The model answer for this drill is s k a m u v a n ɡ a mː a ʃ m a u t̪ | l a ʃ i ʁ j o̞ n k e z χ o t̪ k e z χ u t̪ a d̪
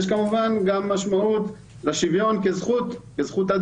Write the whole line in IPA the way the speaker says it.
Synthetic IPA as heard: ʃ k a m u v a n ɡ a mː a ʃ m a u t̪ | l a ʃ i v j o̞ n k e z χ u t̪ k e z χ u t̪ a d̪